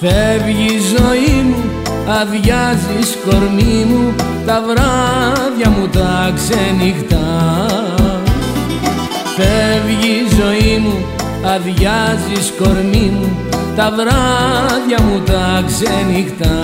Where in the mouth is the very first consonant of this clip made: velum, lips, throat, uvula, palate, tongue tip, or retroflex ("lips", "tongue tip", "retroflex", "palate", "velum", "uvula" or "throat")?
lips